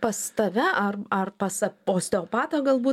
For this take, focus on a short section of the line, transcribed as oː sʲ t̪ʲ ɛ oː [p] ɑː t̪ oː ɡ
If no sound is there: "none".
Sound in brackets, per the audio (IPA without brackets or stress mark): p